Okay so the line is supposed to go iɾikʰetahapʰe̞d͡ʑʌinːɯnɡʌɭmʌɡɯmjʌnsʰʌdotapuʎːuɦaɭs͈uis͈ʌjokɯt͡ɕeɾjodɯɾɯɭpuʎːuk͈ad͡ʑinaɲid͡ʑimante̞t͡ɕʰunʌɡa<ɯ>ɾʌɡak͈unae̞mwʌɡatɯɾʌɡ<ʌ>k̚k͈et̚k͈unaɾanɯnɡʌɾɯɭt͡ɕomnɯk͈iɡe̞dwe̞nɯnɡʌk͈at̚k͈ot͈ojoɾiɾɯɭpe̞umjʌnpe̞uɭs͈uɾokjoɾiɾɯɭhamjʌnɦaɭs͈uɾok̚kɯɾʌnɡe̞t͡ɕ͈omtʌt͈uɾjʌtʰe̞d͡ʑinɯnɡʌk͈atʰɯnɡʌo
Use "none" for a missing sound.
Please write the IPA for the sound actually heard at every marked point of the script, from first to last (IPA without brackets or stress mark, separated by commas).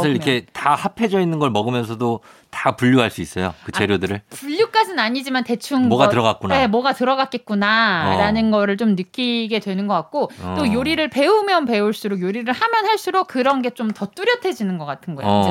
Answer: ɯ, a